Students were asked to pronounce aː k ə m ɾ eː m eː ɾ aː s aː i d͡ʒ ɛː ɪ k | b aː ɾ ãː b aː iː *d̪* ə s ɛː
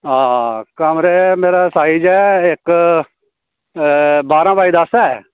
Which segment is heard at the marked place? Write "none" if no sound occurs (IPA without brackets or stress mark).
d̪